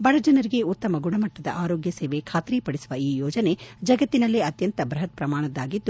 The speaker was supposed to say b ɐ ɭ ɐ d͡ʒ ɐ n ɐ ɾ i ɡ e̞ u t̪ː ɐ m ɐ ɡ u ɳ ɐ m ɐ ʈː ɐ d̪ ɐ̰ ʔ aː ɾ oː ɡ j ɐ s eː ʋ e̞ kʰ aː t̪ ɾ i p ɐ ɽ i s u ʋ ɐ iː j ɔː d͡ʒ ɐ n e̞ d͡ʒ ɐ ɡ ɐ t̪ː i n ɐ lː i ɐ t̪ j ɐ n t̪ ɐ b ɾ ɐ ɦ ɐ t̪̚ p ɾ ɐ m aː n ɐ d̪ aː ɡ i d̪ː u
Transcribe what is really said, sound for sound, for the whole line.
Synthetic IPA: b ɐ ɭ ɐ d͡ʒ ɐ n ɐ ɾ i ɡ e̞ u t̪ː ɐ m ɐ ɡ u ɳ ɐ m ɐ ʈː ɐ d̪ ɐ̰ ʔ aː ɾ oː ɡ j ɐ s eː ʋ e̞ kʰ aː t̪ ɾ i p ɐ ɽ i s u ʋ ɐ iː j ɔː d͡ʒ ɐ n e̞ d͡ʒ ɐ ɡ ɐ t̪ː i n ɐ lː i ɐ t̪ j ɐ n t̪ ɐ b ɾ ɐ ɦ ɐ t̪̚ p ɾ ɐ m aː ɳ ɐ d̪ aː ɡ i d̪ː u